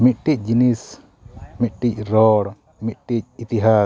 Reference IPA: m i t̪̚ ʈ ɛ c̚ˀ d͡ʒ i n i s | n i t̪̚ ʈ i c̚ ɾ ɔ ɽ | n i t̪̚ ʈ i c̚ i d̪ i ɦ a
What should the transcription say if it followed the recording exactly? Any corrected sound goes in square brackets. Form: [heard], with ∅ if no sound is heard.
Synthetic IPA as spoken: m i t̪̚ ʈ [i] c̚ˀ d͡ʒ i n i s | [m] i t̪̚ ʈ i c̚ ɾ ɔ ɽ | [m] i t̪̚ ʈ i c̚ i [t̪] i ɦ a